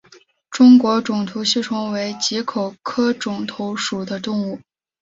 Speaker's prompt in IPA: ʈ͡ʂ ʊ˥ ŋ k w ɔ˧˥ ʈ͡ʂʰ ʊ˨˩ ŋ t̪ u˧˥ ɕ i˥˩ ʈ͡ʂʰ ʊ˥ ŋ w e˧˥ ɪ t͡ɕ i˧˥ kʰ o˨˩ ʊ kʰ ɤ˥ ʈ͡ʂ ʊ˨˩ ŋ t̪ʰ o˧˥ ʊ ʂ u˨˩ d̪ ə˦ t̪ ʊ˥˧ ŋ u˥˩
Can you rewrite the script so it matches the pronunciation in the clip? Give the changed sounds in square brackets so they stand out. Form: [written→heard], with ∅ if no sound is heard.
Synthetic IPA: ʈ͡ʂ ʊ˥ ŋ k w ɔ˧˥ [ʈ͡ʂʰ→ʈ͡ʂ] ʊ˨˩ ŋ [t̪→t̪ʰ] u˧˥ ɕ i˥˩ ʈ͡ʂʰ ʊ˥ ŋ w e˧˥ ɪ t͡ɕ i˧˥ kʰ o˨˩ ʊ kʰ ɤ˥ ʈ͡ʂ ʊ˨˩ ŋ t̪ʰ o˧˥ ʊ ʂ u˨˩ d̪ ə˦ t̪ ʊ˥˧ ŋ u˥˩